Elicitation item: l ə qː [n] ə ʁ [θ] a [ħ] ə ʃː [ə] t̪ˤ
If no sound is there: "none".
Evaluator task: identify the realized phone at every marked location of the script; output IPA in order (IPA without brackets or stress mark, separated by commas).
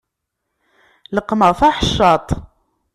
m, f, ħ, ɑ